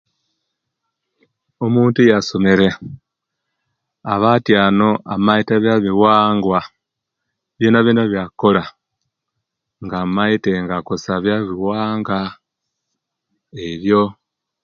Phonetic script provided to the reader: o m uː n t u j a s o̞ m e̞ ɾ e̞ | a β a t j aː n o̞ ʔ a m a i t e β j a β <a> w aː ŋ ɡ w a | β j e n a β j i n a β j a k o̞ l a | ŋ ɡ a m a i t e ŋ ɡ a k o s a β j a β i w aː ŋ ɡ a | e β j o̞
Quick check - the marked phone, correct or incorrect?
incorrect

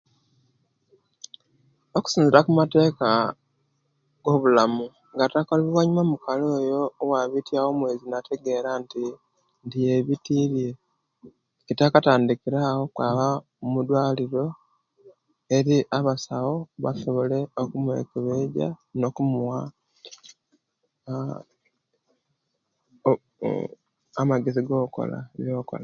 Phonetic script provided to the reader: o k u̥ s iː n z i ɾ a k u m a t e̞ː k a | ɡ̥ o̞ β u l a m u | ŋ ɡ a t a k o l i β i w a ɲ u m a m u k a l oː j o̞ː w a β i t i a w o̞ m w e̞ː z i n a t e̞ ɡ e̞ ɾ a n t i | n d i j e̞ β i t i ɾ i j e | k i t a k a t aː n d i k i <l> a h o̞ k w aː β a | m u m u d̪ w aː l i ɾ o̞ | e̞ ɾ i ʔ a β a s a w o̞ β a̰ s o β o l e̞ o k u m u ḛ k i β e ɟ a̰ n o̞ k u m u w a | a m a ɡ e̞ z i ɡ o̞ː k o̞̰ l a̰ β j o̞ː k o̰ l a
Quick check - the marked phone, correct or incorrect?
incorrect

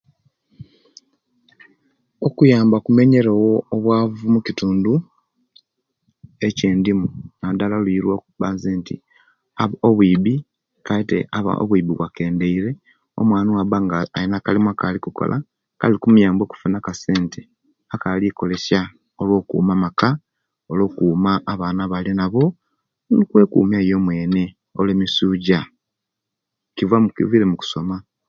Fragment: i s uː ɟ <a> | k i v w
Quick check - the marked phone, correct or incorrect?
correct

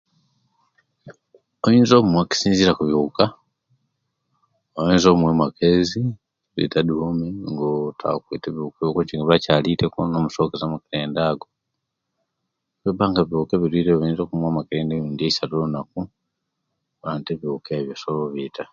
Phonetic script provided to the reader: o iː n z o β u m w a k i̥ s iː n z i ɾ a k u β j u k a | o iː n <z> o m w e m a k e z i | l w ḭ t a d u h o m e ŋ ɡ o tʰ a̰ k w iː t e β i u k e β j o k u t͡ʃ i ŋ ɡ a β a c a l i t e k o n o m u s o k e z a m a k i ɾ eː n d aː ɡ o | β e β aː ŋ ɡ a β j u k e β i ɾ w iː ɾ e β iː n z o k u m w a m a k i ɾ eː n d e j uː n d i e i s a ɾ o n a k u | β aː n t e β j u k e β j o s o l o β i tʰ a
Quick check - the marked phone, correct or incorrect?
correct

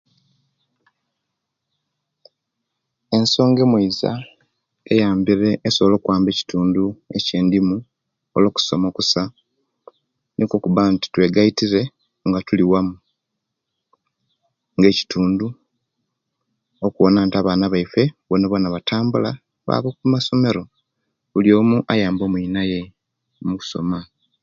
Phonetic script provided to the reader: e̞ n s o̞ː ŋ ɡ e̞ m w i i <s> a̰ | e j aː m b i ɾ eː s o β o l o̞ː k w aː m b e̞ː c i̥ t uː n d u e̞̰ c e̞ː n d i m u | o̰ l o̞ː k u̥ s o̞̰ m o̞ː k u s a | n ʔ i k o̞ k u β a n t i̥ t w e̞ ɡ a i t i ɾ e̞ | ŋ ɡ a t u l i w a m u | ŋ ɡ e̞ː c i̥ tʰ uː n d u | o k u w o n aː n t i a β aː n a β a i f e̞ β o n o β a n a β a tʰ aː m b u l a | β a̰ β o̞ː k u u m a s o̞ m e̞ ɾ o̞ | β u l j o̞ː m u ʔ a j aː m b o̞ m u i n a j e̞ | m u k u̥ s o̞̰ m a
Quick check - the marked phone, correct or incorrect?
incorrect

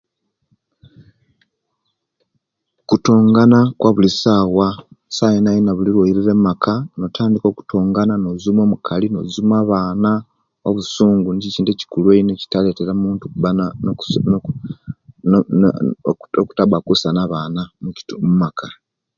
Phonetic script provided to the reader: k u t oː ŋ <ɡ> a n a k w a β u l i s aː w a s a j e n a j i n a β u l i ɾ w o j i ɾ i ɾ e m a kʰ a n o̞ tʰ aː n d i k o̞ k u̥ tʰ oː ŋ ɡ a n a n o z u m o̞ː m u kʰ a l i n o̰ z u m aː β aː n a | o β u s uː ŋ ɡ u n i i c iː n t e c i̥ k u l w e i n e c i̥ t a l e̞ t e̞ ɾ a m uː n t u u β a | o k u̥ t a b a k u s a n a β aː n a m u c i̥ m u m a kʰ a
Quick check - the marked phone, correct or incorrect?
correct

